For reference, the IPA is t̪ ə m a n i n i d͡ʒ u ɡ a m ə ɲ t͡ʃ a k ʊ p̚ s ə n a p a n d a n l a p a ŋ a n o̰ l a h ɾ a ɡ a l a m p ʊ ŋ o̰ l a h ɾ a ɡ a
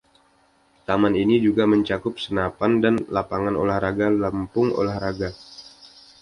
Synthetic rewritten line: t̪ a m a n i n i d͡ʒ u ɡ a m ə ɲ t͡ʃ a k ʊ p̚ s ə n a p a n d a n l a p a ŋ a n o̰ l a h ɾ a ɡ a l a m p ʊ ŋ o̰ l a h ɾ a ɡ a